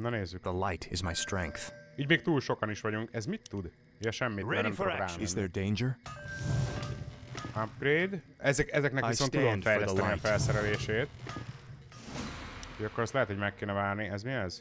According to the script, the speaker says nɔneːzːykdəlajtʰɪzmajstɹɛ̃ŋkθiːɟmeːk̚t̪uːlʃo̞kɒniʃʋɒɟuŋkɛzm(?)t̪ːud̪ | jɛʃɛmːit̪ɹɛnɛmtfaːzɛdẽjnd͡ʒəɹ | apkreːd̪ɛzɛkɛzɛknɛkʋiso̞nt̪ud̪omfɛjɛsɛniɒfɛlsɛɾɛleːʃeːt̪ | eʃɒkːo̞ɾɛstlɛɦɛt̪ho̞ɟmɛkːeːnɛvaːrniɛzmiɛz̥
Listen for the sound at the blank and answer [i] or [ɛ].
i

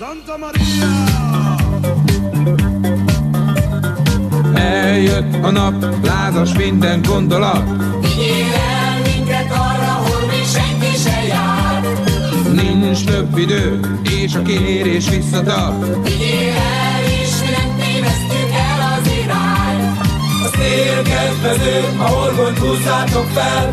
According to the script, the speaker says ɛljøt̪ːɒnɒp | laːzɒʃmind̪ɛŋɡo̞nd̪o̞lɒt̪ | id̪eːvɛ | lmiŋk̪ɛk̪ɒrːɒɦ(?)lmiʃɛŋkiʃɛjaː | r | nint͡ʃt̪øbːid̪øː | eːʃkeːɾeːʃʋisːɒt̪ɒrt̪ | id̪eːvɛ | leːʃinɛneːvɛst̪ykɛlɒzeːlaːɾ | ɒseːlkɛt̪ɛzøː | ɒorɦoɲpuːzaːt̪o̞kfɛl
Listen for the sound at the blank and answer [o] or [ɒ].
o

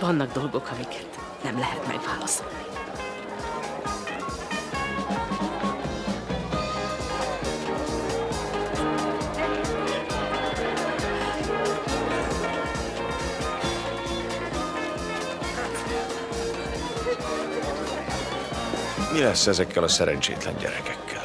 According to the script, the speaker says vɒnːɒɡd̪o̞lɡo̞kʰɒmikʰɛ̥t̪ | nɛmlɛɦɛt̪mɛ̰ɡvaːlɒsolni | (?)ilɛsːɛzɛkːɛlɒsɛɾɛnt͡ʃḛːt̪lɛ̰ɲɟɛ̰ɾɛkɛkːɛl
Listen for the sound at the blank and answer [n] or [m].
m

